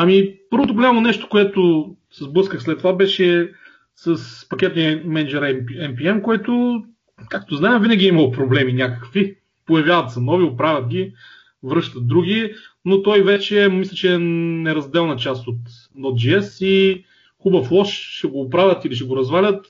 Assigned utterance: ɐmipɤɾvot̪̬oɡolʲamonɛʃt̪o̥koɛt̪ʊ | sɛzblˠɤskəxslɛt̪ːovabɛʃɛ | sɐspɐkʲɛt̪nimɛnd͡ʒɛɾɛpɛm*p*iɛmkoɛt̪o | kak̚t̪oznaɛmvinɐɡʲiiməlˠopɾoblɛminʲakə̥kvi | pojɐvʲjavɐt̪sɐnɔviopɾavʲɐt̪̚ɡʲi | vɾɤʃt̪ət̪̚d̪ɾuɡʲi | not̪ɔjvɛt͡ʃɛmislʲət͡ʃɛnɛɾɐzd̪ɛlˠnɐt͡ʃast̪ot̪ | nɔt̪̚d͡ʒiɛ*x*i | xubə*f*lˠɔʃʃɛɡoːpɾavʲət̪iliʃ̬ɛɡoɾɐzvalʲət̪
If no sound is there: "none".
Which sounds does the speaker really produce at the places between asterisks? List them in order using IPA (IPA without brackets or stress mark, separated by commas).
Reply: p, s, f